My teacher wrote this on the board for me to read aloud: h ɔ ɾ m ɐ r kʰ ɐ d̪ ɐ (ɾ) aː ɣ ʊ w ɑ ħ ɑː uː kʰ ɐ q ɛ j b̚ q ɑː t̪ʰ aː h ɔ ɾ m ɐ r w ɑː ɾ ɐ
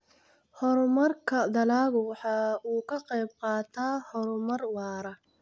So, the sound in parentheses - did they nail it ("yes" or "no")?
no